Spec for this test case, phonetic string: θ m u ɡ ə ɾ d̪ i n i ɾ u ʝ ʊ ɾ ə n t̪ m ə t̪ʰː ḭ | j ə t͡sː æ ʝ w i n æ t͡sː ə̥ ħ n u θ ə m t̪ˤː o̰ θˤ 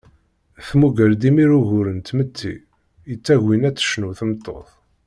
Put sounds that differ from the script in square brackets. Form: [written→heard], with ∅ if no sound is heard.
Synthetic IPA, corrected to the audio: θ m u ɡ ə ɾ d̪ i [n→m] i ɾ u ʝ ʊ ɾ ə n t̪ m ə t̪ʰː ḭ | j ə t͡sː æ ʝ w i n æ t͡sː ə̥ [ħ→ʃ] n u θ ə m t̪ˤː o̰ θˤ